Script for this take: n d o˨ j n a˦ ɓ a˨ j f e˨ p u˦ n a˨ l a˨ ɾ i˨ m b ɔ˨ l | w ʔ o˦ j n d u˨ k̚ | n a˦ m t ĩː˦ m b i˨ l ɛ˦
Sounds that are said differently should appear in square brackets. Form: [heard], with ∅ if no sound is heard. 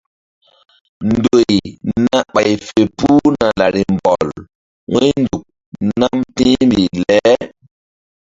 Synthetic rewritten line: n d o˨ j n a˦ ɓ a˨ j f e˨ p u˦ n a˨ l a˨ ɾ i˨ m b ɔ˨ l | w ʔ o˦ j n d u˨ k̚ | n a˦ m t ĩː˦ m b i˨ l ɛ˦